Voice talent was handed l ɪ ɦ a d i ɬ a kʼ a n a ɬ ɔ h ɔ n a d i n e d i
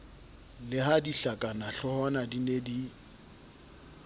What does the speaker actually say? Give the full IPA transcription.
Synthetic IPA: l ɪ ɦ a d i ɬ a kʼ a n a ɬ ɔ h ɔ n a d i n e d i

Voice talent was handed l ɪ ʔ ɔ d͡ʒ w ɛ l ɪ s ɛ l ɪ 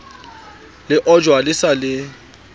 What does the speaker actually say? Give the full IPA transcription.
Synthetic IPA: l ɪ ʔ ɔ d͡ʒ w a l ɪ s a l ɪ

